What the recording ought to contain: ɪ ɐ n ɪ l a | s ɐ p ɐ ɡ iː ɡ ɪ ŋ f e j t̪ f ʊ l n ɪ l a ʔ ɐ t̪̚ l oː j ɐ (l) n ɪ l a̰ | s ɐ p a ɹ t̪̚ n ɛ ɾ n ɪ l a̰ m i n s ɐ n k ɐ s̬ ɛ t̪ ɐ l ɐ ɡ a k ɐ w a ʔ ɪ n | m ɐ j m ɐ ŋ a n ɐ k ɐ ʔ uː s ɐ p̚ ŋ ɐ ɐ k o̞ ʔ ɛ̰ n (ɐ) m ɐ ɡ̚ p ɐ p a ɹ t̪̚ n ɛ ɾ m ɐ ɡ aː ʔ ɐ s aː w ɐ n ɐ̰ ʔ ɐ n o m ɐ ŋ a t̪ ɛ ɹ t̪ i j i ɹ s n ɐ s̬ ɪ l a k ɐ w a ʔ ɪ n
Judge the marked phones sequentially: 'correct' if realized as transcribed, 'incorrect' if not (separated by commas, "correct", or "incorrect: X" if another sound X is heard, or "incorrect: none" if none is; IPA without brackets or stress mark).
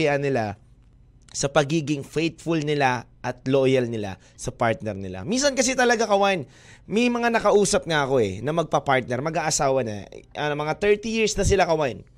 correct, correct